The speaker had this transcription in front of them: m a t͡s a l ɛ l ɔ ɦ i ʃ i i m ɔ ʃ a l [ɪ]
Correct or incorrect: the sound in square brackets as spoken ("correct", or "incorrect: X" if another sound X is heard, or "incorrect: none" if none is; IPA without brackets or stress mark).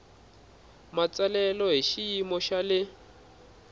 correct